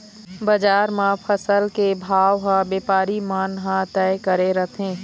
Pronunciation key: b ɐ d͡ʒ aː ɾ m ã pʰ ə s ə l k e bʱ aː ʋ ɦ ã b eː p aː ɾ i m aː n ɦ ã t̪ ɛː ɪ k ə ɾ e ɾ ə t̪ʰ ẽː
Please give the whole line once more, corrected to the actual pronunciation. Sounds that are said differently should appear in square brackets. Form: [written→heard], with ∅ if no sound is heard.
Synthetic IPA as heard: b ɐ d͡ʒ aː ɾ m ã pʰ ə s ə l k e bʱ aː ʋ ɦ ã b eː p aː ɾ i m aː n ɦ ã t̪ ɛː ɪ k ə ɾ e ɾ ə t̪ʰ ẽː